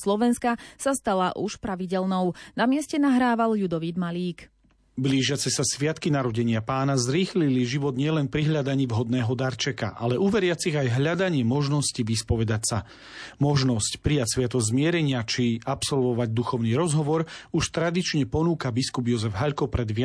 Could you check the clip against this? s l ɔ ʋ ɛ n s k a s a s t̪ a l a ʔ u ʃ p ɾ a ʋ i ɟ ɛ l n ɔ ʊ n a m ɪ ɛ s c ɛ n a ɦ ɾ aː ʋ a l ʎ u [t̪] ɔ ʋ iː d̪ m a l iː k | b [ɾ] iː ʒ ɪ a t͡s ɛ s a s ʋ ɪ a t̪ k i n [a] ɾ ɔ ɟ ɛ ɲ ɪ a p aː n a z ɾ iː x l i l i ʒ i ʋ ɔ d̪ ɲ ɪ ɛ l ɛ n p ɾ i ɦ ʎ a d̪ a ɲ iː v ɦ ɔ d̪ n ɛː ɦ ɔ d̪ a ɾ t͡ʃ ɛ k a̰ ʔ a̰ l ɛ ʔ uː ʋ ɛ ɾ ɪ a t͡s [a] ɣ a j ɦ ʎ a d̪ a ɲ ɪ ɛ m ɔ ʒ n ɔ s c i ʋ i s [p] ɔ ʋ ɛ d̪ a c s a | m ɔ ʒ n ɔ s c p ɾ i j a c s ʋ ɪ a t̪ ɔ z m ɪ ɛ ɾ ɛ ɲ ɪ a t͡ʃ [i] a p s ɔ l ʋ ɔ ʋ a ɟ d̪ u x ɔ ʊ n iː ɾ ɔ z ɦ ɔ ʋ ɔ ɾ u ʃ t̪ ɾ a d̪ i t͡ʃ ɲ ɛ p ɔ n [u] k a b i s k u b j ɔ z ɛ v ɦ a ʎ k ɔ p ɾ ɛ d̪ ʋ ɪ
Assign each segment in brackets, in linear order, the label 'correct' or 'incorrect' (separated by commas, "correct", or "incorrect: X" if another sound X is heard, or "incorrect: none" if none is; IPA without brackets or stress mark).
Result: incorrect: d̪, incorrect: l, correct, incorrect: i, correct, correct, incorrect: uː